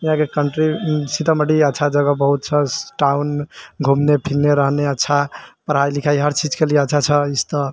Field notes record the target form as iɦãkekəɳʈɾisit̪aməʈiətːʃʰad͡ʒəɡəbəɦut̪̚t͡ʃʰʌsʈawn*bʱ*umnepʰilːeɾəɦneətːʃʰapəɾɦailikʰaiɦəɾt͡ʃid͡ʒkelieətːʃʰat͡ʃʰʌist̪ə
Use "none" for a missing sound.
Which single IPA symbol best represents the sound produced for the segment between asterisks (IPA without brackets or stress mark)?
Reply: ɡʱ